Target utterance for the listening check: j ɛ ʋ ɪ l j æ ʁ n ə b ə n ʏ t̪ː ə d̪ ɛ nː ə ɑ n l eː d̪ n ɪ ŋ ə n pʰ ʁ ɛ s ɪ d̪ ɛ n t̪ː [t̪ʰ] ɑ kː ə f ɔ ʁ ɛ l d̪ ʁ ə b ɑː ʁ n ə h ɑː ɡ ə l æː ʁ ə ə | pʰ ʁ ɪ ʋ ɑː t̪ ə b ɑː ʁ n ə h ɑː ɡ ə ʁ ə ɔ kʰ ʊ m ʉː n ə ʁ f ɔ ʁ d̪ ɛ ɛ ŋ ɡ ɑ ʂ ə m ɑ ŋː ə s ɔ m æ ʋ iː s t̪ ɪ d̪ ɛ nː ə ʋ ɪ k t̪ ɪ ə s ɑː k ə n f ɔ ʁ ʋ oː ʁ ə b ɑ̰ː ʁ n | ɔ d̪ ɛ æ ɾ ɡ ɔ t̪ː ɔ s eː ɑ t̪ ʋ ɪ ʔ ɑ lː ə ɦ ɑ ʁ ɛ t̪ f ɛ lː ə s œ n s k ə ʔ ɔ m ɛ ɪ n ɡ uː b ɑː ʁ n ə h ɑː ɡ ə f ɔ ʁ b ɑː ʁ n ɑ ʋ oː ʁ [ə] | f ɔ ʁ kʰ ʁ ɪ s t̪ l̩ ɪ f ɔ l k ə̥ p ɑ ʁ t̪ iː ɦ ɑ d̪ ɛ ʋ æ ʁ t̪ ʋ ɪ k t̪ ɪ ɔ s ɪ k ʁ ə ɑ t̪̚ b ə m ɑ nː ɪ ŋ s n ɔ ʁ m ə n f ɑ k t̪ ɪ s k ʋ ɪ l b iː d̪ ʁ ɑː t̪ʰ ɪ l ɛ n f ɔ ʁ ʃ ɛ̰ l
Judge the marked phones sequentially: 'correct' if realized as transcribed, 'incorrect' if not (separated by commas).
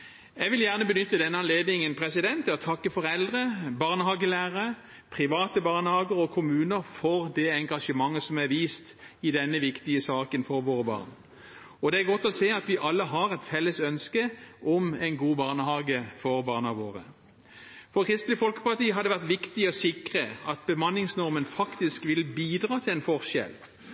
correct, correct